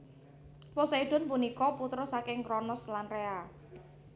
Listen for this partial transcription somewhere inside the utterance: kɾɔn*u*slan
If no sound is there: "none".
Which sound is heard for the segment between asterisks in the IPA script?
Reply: ɔ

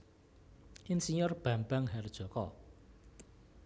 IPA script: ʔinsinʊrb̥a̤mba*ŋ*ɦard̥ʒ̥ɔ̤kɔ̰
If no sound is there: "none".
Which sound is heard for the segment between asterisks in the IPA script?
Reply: ŋ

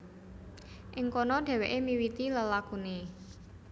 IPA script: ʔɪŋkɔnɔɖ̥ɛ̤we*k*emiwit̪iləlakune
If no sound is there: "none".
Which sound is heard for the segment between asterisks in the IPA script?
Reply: ʔ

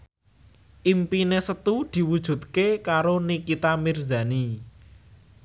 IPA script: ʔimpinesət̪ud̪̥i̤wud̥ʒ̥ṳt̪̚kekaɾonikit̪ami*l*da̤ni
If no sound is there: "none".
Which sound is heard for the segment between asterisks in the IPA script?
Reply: r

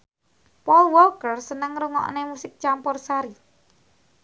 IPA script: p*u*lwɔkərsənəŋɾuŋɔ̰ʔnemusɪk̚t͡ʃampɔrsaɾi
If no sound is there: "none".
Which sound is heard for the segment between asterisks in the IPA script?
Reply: ɔ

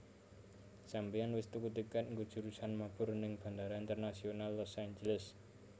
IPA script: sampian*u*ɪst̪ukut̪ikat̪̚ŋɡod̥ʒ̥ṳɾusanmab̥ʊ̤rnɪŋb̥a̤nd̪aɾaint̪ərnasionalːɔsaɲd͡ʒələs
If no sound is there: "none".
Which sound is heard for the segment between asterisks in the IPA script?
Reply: w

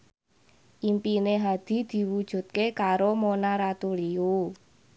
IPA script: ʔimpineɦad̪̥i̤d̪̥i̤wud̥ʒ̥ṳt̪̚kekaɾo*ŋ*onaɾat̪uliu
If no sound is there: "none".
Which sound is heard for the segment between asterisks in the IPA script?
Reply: m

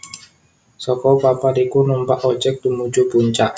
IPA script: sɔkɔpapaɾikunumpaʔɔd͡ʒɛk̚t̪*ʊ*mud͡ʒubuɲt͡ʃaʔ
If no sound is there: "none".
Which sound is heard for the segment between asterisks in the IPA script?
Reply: u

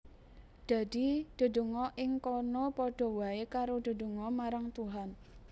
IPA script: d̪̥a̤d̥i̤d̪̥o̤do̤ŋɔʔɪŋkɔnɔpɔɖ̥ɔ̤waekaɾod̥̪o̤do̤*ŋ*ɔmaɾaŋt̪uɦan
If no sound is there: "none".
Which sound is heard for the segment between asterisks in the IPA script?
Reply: ŋ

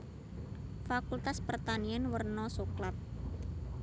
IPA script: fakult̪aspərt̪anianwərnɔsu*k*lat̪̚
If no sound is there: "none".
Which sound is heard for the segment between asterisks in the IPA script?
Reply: k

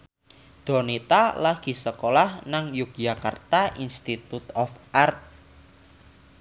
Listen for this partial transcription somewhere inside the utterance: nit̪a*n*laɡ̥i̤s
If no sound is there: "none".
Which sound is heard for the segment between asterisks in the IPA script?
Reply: none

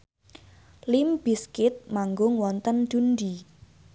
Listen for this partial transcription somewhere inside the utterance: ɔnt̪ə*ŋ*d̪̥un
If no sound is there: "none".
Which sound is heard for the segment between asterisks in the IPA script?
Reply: n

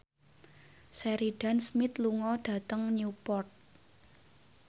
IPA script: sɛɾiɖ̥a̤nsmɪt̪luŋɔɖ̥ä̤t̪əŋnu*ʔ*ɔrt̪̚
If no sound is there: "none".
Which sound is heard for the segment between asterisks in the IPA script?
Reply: p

